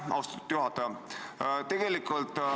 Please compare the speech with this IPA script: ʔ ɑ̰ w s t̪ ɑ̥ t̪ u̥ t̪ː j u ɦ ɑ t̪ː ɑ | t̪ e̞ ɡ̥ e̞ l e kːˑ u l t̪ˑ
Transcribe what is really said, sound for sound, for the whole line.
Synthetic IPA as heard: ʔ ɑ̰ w s t̪ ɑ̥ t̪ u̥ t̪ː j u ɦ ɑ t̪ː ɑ | t̪ e̞ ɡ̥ e̞ l i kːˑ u l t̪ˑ